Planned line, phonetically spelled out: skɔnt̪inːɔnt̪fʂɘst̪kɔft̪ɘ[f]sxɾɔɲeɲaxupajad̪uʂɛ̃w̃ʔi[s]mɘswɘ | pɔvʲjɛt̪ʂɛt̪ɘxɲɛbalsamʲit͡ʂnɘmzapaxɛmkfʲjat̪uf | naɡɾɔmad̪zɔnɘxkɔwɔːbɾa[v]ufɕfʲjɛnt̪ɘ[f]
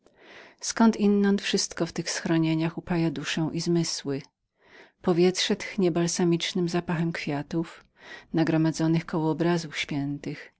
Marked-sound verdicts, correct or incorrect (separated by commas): incorrect, incorrect, incorrect, incorrect